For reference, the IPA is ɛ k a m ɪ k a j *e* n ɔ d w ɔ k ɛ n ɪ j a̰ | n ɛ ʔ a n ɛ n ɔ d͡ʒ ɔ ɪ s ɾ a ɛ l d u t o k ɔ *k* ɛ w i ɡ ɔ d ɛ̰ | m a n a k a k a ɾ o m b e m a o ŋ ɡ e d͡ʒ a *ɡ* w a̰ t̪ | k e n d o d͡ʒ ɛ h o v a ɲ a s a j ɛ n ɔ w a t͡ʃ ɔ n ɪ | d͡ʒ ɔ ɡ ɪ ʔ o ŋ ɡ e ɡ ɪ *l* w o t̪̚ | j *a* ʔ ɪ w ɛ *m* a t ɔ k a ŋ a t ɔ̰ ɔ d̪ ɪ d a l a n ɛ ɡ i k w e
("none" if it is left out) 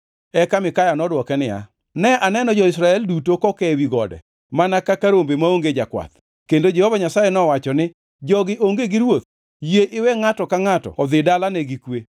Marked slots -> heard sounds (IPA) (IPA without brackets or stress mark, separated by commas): a, k, k, ɾ, e, ŋ